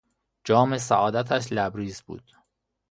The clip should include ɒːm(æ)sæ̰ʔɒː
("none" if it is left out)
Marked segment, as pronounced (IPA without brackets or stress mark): e